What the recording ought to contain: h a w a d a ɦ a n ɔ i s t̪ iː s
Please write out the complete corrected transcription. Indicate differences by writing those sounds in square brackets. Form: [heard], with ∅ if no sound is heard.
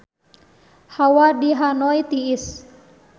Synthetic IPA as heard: h a w a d [i] ɦ a n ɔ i [∅] t̪ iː s

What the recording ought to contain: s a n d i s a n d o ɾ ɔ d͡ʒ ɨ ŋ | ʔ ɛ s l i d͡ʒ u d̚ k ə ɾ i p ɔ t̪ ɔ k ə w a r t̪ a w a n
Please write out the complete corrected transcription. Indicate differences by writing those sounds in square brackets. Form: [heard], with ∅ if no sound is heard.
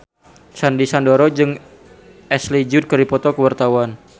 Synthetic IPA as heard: s a n d i s a n d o ɾ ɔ d͡ʒ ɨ ŋ | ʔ ɛ s l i d͡ʒ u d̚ k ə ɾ i p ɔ t̪ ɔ k ə w a r t̪ a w a n

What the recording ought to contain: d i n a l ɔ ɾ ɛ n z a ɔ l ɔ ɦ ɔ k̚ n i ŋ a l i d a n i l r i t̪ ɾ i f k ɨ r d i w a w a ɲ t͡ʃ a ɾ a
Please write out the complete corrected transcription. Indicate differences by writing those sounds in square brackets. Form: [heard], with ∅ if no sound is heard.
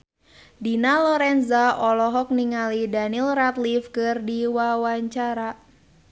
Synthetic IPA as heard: d i n a l ɔ ɾ ɛ n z a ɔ l ɔ ɦ ɔ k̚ n i ŋ a l i d a n i l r [a] t̪ [l] i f k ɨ r d i w a w a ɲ t͡ʃ a ɾ a

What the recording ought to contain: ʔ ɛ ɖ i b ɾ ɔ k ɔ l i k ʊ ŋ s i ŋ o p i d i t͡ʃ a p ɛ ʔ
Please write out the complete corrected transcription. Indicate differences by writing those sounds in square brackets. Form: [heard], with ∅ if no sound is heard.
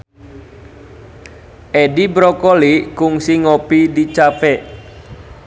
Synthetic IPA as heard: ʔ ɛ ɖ i b ɾ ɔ k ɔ l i k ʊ ŋ s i ŋ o p i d i t͡ʃ a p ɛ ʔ

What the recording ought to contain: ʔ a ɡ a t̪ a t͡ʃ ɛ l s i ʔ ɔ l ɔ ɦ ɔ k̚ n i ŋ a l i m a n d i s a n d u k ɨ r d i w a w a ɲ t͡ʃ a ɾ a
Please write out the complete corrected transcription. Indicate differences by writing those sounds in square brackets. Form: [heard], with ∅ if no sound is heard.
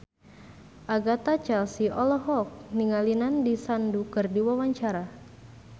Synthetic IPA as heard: ʔ a ɡ a t̪ a t͡ʃ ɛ l s i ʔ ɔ l ɔ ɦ ɔ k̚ n i ŋ a l i [n] a n d i s a n d u k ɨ r d i w a w a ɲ t͡ʃ a ɾ a

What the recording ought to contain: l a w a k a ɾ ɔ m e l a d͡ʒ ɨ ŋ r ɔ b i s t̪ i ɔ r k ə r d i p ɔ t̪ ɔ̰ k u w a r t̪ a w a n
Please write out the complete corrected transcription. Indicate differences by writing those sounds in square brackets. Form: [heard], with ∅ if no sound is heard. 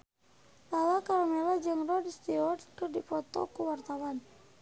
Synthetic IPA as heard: l a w a k a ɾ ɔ m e l a d͡ʒ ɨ ŋ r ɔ [d] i s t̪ i ɔ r k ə r d i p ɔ t̪ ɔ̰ k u w a r t̪ a w a n

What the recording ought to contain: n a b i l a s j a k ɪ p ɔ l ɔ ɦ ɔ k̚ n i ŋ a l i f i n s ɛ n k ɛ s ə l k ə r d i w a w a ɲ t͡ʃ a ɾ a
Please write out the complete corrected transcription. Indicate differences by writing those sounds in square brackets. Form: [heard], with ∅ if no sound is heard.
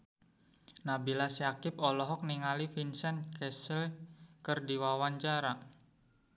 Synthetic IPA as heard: n a b i l a s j a k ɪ p ɔ l ɔ ɦ ɔ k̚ n i ŋ a l i f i n s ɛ n k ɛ s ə l k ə r d i w a w a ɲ t͡ʃ a ɾ a

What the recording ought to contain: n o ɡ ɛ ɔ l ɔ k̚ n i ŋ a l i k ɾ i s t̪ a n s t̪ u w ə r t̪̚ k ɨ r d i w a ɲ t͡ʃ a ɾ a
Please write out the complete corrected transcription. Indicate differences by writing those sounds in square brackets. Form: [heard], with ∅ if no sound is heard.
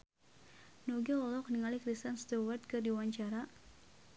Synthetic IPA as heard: n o ɡ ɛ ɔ l ɔ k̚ n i ŋ a l i k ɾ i s t̪ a n s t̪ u w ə r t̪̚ k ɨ r d i w a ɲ t͡ʃ a ɾ a

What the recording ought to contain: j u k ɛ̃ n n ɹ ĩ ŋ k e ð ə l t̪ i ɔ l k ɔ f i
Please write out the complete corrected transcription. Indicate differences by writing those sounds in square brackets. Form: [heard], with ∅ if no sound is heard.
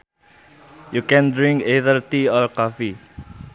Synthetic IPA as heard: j u k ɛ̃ n [d] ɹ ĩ ŋ k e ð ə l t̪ i ɔ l k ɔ f i

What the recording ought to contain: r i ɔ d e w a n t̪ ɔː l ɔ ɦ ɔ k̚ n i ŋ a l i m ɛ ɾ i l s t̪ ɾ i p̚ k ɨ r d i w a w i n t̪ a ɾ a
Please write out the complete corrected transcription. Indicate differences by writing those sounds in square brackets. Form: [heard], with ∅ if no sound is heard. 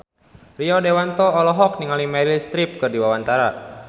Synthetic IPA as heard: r i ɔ d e w a n t̪ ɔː l ɔ ɦ ɔ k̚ n i ŋ a l i m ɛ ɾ i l s t̪ ɾ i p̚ k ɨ r d i w a w [a] n t̪ a ɾ a

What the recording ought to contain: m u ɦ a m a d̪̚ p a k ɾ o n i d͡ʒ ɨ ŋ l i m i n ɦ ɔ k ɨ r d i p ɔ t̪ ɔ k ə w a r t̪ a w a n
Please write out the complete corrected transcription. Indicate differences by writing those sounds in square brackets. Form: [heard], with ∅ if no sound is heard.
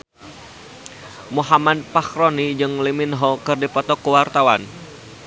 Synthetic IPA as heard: m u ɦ a m a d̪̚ p a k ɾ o n i d͡ʒ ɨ ŋ l i m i n ɦ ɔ k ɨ r d i p ɔ t̪ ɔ k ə w a r t̪ a w a n

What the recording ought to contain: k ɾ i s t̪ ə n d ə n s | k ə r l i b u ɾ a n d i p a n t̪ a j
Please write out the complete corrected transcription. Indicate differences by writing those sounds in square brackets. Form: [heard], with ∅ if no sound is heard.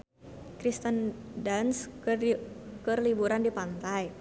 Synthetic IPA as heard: k ɾ i s t̪ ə n d [a] n s | k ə r l i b u ɾ a n d i p a n t̪ a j

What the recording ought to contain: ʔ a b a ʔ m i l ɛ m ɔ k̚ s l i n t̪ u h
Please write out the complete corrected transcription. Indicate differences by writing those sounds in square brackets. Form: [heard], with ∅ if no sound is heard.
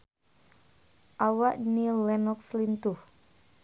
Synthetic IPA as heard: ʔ a [w] a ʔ [n] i l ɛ [n] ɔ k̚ s l i n t̪ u h

